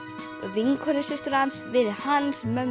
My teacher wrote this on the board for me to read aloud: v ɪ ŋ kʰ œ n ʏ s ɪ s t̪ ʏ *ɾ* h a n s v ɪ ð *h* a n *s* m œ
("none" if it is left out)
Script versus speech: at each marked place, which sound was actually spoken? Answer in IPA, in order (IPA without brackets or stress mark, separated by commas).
ɾ, h, s